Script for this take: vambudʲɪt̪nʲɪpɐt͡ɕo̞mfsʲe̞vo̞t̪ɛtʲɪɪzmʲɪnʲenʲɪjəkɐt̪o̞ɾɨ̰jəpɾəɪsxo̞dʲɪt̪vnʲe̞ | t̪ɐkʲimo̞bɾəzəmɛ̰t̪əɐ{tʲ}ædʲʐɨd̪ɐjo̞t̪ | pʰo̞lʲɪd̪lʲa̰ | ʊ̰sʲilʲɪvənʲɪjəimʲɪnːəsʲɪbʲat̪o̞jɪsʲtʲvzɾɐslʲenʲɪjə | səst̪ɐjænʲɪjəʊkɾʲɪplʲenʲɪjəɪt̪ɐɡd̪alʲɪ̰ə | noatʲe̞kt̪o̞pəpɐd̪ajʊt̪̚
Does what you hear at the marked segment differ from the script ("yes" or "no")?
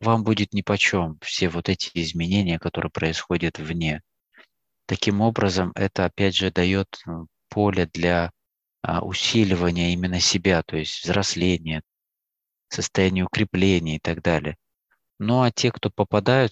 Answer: yes